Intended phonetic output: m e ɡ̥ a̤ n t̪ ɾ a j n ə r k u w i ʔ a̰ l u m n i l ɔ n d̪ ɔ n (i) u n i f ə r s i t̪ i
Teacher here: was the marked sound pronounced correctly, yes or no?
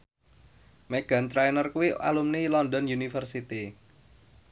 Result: no